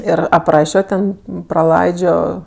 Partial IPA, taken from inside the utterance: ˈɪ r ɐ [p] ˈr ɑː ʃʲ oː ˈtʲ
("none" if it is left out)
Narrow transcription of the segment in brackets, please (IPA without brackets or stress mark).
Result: p